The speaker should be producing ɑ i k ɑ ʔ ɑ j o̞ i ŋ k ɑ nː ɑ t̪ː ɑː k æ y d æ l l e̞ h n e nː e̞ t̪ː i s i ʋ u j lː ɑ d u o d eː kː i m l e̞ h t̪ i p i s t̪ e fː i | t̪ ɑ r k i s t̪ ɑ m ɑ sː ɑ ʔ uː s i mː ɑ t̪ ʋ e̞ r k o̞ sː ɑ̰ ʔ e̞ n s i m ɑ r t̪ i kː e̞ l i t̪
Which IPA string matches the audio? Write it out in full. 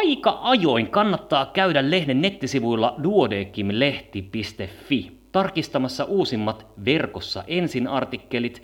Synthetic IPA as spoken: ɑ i k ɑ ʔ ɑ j o̞ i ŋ k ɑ nː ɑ t̪ː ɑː k æ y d æ l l e̞ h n e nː e̞ t̪ː i s i ʋ u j lː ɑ d u o d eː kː i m l e̞ h t̪ i p i s t̪ e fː i | t̪ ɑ r k i s t̪ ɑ m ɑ sː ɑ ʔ uː s i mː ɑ t̪ ʋ e̞ r k o̞ sː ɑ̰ ʔ e̞ n s i n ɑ r t̪ i kː e̞ l i t̪